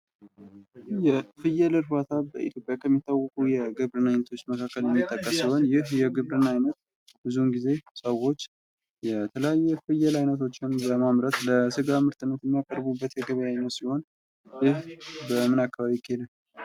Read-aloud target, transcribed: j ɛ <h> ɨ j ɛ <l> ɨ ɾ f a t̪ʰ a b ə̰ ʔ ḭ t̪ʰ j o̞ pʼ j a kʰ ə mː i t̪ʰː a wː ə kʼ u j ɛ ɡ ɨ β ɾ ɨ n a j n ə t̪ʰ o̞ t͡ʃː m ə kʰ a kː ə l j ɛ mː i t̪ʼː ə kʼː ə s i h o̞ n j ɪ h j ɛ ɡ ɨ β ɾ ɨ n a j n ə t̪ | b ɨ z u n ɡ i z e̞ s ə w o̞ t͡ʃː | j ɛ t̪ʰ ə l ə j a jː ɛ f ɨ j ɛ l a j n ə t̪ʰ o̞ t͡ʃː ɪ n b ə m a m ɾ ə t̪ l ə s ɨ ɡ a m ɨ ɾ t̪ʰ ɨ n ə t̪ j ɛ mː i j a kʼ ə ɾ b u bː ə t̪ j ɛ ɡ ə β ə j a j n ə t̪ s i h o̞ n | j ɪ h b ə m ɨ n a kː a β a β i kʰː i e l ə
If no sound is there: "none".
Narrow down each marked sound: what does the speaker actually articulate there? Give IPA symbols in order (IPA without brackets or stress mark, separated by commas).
f, l